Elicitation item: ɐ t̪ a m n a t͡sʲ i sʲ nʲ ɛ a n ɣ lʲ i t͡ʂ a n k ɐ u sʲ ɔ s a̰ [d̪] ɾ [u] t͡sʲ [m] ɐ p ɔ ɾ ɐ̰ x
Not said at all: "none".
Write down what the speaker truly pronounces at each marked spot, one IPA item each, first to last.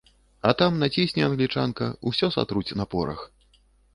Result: t̪, u, n

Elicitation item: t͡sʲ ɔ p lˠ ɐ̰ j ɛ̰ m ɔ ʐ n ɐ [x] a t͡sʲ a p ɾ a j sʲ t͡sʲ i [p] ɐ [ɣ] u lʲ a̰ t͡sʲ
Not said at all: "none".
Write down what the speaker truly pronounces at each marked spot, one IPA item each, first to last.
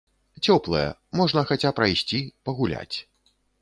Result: x, p, ɣ

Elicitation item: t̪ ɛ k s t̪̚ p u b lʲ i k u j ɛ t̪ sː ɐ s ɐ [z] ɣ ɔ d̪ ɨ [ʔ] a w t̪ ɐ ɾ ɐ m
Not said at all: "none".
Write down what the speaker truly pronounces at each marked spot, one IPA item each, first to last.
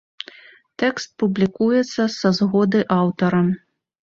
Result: z, ʔ

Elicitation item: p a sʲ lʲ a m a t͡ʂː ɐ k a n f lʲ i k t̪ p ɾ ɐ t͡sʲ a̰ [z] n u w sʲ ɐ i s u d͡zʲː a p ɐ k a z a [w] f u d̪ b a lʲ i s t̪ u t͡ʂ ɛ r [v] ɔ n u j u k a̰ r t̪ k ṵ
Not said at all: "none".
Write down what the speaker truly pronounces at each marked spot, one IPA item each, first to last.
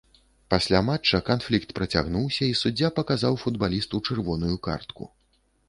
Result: ɣ, w, v

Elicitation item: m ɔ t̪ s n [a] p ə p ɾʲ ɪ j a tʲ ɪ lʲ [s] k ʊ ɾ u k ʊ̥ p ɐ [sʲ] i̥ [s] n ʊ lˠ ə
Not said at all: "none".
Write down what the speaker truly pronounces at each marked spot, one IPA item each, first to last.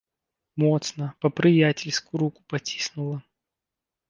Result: ə, s, tʲ, s

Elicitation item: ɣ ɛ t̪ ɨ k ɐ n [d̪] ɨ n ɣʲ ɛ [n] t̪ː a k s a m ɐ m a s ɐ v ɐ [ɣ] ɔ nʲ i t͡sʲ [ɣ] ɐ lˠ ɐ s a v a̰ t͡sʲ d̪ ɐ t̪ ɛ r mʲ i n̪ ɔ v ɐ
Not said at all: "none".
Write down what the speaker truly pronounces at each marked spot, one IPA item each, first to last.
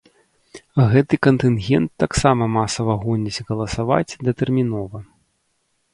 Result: t̪, n, ɣ, ɣ

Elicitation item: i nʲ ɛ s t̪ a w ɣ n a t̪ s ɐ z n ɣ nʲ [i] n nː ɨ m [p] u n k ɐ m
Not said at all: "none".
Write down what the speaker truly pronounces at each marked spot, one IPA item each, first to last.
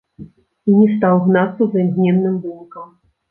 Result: ɛ, b

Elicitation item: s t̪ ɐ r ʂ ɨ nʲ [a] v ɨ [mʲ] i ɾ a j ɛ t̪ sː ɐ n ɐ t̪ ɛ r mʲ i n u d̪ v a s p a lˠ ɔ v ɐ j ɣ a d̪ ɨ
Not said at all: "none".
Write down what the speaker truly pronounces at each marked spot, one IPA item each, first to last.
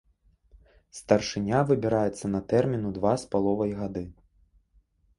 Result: a, bʲ

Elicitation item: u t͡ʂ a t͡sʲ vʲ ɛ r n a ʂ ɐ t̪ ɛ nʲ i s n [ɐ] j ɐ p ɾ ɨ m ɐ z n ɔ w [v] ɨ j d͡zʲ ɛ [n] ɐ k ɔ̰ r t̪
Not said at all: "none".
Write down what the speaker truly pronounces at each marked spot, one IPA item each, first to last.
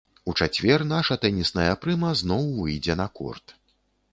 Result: ɐ, v, n

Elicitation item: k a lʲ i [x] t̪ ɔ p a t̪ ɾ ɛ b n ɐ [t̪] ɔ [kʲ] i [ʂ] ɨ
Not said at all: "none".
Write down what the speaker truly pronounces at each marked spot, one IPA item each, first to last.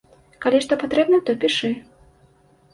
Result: ʂ, t̪, pʲ, ʂ

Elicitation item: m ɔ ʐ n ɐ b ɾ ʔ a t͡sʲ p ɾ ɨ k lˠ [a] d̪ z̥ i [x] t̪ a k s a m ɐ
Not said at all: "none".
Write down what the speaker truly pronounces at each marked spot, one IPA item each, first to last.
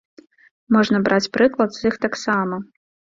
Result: ɐ, x

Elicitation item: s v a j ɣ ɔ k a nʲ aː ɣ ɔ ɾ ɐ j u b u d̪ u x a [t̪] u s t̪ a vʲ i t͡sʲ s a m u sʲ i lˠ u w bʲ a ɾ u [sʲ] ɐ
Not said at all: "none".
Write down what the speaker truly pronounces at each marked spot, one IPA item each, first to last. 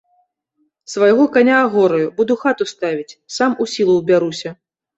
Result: t̪, sʲ

